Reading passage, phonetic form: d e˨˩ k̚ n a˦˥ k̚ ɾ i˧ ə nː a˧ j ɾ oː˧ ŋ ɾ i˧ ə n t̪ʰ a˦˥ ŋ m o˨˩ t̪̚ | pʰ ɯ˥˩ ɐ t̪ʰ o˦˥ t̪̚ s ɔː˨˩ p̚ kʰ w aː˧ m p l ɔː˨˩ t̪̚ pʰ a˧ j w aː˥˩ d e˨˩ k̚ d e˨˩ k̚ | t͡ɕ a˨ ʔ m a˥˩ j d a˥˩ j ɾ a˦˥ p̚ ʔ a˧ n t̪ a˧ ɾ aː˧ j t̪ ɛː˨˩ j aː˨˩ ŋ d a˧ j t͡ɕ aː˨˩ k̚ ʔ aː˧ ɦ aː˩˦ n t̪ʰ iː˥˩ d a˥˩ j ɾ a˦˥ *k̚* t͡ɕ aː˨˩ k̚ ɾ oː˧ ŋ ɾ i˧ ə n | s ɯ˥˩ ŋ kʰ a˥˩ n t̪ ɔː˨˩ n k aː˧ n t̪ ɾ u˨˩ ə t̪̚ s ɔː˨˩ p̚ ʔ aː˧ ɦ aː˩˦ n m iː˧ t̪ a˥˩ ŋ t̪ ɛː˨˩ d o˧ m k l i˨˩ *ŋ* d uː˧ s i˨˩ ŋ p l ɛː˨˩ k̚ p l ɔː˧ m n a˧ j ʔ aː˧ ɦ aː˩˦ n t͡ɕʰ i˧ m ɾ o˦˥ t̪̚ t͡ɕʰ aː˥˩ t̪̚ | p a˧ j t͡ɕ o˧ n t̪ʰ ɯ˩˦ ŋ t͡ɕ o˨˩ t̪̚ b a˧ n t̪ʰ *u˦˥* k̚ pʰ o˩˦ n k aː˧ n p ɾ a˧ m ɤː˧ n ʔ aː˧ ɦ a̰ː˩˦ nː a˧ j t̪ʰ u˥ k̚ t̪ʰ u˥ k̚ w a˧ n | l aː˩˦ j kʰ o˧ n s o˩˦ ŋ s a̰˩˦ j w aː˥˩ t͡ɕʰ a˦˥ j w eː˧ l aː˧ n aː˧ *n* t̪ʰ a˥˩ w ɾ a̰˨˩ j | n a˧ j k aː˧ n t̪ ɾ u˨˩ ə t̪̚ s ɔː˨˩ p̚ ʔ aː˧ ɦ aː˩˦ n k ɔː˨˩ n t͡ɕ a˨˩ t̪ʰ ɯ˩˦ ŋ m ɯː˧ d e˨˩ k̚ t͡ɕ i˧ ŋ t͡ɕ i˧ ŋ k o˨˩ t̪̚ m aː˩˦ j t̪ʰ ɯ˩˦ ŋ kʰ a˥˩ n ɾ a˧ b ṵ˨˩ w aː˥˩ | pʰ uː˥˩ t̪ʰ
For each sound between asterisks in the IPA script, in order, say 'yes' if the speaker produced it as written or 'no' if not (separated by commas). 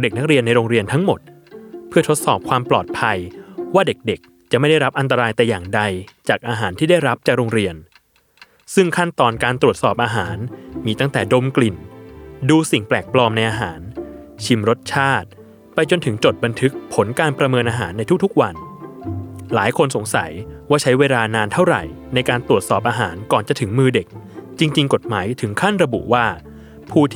no, no, no, yes